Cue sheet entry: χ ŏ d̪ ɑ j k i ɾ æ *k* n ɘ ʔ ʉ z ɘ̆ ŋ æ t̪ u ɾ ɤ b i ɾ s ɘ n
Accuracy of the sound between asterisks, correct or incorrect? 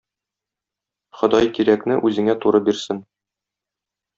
correct